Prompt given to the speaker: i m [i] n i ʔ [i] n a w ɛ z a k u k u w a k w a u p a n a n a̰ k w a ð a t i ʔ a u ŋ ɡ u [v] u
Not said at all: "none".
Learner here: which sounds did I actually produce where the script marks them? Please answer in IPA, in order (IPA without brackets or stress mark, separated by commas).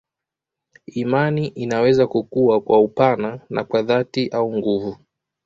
a, i, v